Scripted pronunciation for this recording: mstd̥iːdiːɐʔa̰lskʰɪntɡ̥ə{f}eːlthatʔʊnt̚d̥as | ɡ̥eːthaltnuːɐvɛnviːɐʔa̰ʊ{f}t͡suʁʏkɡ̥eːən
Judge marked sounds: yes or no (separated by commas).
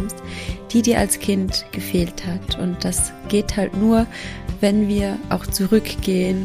yes, no